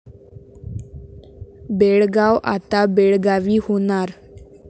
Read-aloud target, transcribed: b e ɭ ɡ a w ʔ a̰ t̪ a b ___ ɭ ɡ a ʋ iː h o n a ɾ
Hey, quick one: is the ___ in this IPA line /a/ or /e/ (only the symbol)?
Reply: e